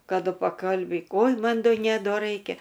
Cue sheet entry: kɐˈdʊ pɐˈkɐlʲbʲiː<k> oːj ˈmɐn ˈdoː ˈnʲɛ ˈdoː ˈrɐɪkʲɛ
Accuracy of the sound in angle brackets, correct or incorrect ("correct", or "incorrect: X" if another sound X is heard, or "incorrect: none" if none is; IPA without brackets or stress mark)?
correct